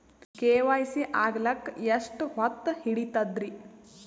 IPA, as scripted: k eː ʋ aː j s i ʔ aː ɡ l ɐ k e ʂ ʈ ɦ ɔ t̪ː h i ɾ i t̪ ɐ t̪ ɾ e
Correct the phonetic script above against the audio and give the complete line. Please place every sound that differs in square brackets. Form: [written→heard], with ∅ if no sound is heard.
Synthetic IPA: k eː ʋ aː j s i ʔ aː ɡ l ɐ k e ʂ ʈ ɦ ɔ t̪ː h i [ɾ→ɽ] i t̪ ɐ [t̪→d̪] ɾ [e→i]